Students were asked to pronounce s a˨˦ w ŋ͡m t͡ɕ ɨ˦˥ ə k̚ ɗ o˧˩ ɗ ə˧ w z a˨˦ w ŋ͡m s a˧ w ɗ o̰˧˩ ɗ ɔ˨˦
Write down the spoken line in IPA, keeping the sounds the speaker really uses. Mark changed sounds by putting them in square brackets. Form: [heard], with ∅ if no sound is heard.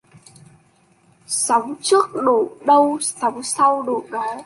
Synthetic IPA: s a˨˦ w ŋ͡m t͡ɕ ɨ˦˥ ə k̚ ɗ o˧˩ ɗ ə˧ w [s] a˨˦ w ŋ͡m s a˧ w ɗ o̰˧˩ ɗ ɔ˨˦

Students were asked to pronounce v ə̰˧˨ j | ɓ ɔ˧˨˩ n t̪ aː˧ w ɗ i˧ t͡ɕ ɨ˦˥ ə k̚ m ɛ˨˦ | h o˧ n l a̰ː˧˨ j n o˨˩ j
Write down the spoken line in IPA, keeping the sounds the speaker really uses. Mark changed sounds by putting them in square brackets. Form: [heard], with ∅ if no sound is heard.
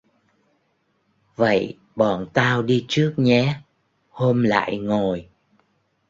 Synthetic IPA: v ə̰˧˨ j | ɓ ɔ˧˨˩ n t̪ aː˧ w ɗ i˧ t͡ɕ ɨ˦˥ ə k̚ [ɲ] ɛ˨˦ | h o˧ [m] l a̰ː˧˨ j [ŋ] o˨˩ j

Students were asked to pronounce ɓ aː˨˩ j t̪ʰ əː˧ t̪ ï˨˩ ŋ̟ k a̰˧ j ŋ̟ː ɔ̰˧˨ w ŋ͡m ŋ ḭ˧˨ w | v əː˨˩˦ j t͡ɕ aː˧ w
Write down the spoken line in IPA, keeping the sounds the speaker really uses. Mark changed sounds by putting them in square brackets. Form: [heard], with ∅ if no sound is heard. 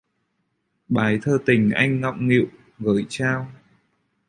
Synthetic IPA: ɓ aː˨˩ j t̪ʰ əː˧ t̪ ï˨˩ ŋ̟ [ʔ] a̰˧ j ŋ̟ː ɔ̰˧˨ w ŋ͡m ŋ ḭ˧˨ w | [ɣ] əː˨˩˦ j t͡ɕ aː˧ w

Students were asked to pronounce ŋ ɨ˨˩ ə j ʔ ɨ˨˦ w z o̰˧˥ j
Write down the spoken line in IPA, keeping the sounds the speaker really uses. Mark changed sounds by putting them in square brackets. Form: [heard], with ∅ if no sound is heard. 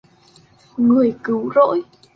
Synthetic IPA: ŋ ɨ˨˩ ə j [k] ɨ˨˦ w z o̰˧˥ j

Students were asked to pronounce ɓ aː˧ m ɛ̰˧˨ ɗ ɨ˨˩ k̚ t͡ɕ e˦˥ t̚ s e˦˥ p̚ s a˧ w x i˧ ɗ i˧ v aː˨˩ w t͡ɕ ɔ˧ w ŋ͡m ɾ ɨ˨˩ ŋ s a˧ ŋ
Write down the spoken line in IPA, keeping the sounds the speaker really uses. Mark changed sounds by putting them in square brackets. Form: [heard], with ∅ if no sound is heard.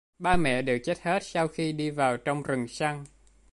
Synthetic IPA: ɓ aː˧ m ɛ̰˧˨ ɗ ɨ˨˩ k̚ t͡ɕ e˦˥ t̚ [h] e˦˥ [t̚] s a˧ w x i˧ ɗ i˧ v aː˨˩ w t͡ɕ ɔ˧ w ŋ͡m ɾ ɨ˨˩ ŋ s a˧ ŋ

